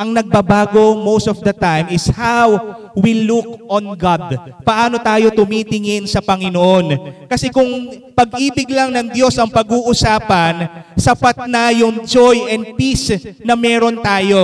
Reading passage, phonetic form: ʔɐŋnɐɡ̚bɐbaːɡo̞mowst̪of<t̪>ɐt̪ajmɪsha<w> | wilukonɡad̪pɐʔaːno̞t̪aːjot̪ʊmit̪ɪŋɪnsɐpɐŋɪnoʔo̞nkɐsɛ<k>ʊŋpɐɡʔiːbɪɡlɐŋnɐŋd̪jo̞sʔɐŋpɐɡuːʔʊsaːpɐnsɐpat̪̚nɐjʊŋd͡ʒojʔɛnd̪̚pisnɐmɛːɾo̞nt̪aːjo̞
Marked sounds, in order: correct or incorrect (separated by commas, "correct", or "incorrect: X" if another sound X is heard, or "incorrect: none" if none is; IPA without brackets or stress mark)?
incorrect: d̪, correct, correct